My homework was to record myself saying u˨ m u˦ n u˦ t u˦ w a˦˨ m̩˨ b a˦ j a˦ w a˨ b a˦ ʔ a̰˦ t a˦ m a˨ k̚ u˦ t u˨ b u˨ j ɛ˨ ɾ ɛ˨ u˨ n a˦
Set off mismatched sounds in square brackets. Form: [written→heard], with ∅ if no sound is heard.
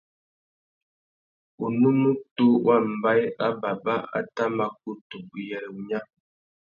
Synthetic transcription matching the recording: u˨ [m→n] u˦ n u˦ t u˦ w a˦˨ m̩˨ b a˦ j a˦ [w→b] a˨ b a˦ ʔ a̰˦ t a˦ m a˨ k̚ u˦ t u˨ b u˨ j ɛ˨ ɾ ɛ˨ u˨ [n→ɲ] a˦